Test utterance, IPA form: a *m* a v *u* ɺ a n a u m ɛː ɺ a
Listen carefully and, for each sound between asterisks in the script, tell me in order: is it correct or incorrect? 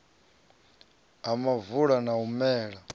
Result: correct, correct

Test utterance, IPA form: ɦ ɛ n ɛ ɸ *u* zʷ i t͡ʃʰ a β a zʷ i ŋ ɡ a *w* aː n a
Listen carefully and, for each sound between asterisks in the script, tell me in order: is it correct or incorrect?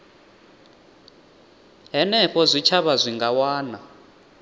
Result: incorrect, correct

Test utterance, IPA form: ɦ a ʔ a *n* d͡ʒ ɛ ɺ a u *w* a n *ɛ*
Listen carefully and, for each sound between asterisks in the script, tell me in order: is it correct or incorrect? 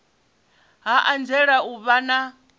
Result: correct, incorrect, incorrect

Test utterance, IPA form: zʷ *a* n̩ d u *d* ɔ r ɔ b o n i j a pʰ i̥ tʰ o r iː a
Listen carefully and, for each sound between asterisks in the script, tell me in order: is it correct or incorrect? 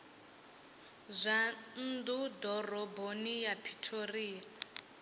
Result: correct, correct

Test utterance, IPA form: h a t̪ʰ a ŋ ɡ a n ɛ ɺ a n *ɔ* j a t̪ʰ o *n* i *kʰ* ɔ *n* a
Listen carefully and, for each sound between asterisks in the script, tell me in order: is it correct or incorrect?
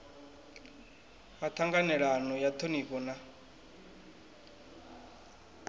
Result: correct, correct, incorrect, correct

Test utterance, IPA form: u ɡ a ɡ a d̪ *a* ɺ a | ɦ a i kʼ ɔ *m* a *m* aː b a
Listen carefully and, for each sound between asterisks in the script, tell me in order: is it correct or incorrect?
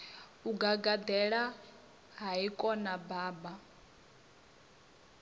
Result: incorrect, incorrect, incorrect

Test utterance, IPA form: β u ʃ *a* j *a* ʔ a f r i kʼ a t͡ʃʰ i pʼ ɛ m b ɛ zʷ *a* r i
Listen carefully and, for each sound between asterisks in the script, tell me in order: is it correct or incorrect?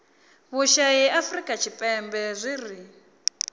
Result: correct, incorrect, incorrect

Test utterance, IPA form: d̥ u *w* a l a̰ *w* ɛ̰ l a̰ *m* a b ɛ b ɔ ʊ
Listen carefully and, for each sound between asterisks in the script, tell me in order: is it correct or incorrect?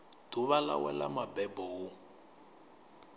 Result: incorrect, correct, correct

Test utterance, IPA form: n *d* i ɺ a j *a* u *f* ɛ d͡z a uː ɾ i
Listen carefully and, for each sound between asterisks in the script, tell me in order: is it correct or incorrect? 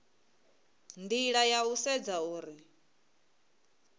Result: correct, correct, incorrect

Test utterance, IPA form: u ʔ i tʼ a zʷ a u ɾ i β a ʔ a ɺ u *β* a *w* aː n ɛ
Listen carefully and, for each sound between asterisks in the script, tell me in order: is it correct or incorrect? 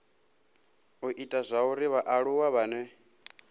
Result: incorrect, incorrect

